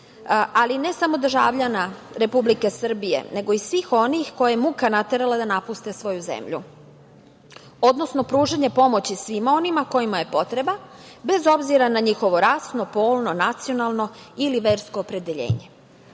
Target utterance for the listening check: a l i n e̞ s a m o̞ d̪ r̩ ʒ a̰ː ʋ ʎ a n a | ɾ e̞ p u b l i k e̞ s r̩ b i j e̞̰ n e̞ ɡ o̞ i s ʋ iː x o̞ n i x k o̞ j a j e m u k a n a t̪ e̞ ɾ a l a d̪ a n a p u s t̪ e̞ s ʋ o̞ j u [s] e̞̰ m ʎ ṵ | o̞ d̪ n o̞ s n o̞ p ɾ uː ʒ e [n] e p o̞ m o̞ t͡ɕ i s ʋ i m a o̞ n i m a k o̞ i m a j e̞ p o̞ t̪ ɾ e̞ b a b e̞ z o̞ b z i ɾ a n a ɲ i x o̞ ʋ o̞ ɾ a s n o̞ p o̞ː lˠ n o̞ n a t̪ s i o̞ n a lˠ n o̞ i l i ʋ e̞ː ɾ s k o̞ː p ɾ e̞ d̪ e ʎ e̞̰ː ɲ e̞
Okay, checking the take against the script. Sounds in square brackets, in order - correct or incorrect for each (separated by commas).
incorrect, incorrect